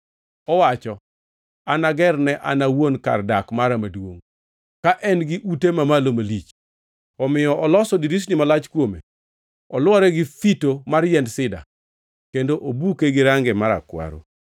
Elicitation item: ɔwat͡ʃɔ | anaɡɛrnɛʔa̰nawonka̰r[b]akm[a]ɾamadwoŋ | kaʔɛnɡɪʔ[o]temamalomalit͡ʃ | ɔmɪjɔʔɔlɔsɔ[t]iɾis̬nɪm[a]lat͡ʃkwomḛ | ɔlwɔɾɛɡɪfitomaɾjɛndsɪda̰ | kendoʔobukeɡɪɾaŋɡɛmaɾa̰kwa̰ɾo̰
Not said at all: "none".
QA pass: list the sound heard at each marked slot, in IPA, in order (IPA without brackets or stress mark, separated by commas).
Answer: d, a, u, d, a